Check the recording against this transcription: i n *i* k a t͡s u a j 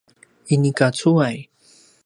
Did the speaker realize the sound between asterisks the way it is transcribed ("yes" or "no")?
yes